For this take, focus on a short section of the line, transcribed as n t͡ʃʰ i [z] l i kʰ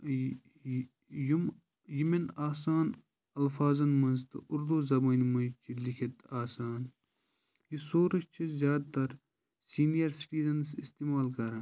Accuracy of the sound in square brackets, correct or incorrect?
incorrect